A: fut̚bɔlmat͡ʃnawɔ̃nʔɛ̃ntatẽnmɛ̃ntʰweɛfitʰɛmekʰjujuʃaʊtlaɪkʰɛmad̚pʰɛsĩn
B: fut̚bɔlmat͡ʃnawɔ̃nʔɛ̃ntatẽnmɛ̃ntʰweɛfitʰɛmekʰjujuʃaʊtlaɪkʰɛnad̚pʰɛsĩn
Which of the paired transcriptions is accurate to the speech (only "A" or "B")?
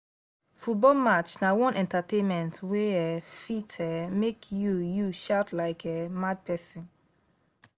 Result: A